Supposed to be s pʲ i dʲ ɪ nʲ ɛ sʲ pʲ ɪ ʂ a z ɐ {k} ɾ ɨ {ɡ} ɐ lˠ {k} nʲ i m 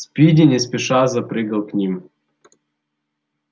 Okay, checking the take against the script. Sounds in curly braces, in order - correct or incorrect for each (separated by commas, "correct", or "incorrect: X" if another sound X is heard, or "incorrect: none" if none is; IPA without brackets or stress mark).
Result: incorrect: p, correct, correct